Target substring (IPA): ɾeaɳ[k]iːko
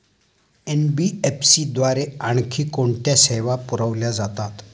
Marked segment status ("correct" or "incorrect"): incorrect